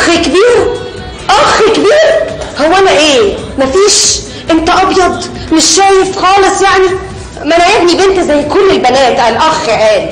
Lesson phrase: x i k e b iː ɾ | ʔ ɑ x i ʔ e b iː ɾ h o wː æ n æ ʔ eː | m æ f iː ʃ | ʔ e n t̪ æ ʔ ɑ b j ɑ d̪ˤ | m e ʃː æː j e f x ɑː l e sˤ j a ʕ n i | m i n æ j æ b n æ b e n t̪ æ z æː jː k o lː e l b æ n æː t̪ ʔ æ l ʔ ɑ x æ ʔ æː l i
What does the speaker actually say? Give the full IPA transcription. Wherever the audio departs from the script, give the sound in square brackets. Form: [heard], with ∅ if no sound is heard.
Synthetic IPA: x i k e b iː ɾ | ʔ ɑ x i [k] e b iː ɾ h o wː æ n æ ʔ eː | m æ f iː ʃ | ʔ e n t̪ æ ʔ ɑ b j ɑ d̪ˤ | m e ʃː æː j e f x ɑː l e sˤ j a ʕ n i | m [æ] n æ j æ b n [i] b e n t̪ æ z [æ] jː k o lː e l b æ n æː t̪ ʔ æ l ʔ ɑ x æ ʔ æː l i